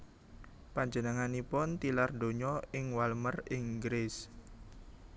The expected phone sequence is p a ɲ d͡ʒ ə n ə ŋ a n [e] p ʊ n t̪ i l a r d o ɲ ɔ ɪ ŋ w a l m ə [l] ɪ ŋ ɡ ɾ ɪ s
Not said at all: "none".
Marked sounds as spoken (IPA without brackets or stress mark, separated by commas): i, r